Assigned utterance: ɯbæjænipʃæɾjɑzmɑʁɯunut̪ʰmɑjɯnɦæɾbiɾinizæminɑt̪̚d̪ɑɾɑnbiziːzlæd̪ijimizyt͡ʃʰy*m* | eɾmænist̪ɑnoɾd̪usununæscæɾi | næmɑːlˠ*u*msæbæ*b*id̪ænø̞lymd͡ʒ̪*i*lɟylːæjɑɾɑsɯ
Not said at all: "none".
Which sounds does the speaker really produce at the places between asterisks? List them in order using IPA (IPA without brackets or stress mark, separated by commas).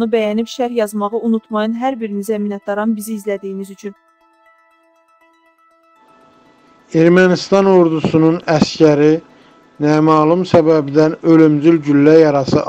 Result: n, u, b, y